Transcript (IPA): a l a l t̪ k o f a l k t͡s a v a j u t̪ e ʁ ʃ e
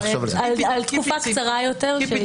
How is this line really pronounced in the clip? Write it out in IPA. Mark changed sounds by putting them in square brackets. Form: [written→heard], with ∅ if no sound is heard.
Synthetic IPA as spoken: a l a l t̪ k [o→u] f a [l→∅] k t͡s a [v→ʁ] a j [u→o] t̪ e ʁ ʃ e